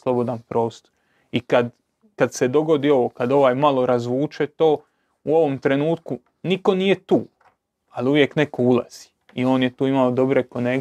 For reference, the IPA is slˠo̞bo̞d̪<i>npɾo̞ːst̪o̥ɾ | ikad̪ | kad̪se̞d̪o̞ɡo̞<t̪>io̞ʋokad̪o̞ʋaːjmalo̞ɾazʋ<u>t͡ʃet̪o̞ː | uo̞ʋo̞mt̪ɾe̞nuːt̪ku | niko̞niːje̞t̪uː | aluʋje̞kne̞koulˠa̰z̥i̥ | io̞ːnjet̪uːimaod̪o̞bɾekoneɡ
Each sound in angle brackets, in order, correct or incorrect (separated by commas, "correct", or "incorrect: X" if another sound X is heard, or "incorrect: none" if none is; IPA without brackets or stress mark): incorrect: a, incorrect: d̪, incorrect: uː